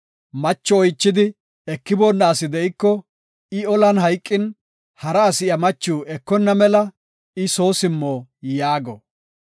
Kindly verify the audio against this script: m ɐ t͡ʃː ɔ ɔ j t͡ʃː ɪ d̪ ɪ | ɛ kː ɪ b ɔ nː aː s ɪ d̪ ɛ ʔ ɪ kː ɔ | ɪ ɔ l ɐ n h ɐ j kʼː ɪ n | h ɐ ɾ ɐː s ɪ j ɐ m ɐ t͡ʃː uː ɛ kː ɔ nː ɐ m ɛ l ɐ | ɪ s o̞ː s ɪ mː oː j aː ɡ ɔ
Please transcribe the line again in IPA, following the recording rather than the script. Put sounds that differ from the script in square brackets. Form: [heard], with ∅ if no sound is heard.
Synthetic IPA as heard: m ɐ t͡ʃː ɔ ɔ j t͡ʃː ɪ d̪ ɪ | ɛ kː ɪ b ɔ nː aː s ɪ d̪ ɛ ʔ ɪ kː ɔ | ɪ ɔ l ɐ n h ɐ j kʼː ɪ n | h ɐ ɾ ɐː s ɪ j ɐ m ɐ t͡ʃː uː ɛ kː ɔ nː ɐ m ɛ l ɐ | ɪ s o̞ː s ɪ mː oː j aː ɡ ɔ